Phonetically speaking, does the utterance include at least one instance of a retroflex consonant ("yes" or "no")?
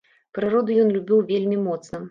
no